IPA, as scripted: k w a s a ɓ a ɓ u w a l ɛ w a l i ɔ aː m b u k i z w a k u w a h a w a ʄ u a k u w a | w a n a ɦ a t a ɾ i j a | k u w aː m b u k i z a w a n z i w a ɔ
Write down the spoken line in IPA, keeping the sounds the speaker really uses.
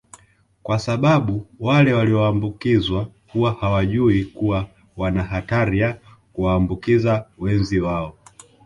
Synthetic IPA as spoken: k w a s a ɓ a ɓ u w a l ɛ w a l i ɔ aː m b u k i z w a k u w a h a w a ʄ u i k u w a | w a n a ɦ a t a ɾ i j a | k u w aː m b u k i z a w ɛ n z i w a ɔ

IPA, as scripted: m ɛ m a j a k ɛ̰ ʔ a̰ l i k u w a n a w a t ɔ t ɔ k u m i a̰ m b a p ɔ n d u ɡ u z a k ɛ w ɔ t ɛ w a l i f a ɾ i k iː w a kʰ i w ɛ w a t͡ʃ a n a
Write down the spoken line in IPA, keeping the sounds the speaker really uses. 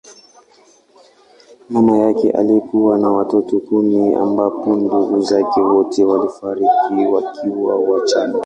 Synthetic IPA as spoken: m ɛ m a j a k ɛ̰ ʔ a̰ l i k u w a n a w a t ɔ t ɔ k u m i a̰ m b a p ɔ n d u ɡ u z a k ɛ w ɔ t ɛ w a l i f a ɾ i k i w a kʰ i w a w a t͡ʃ a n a

